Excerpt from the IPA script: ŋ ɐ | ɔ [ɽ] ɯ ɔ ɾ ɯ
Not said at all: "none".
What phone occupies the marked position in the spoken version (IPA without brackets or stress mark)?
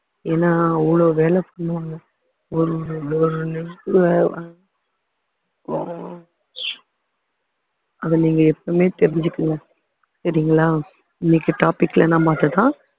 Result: ɾ